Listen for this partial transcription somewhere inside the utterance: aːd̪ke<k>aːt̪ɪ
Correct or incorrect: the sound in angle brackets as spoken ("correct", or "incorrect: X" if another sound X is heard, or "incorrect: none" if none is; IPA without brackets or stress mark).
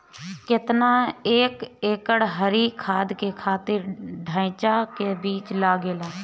incorrect: kʰ